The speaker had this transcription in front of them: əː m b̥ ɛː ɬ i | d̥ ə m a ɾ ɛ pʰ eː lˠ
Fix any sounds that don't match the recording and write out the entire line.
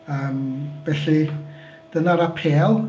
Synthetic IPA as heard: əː m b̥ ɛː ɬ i | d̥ ə n a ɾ a pʰ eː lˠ